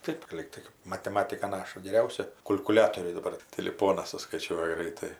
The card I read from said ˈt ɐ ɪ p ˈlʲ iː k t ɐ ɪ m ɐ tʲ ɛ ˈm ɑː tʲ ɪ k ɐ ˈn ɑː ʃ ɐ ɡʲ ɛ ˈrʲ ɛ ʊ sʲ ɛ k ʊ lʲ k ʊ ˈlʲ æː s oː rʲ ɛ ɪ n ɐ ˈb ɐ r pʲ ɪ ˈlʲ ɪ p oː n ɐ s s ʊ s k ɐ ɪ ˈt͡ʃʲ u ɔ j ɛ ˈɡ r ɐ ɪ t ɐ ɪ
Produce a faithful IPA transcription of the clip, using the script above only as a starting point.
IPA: ˈt ɐ ɪ p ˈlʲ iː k t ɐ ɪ m ɐ tʲ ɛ ˈm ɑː tʲ ɪ k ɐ ˈn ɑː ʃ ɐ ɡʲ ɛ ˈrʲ ɛ ʊ sʲ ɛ k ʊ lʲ k ʊ ˈlʲ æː t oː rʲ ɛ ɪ d ɐ ˈb ɐ r tʲ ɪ ˈlʲ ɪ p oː n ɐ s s ʊ s k ɐ ɪ ˈt͡ʃʲ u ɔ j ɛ ˈɡ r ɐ ɪ t ɐ ɪ